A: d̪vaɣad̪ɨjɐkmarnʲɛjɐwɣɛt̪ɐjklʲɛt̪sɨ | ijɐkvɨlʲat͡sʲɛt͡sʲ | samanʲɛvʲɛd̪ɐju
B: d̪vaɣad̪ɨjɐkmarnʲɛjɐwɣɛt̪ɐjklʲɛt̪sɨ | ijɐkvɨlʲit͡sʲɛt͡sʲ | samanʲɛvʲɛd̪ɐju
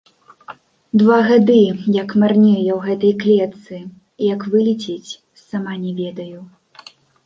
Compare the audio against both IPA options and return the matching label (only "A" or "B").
B